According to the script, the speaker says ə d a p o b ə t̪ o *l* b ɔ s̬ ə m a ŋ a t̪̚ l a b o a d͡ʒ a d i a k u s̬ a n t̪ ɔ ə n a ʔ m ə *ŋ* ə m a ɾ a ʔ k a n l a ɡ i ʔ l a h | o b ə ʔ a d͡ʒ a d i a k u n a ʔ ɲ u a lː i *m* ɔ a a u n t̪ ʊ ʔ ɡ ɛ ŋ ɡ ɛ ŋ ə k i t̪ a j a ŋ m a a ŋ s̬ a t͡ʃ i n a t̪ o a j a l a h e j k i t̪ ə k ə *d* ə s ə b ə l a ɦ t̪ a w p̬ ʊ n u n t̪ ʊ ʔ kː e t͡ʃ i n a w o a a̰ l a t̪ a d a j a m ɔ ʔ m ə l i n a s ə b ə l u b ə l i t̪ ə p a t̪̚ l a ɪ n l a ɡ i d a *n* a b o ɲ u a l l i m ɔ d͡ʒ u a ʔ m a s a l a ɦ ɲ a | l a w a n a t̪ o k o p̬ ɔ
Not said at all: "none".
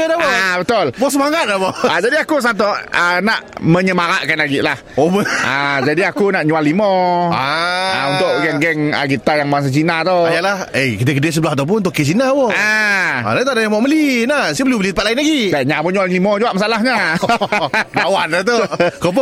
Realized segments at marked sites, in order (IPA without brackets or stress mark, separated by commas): l, ɲ, m, d, ɲ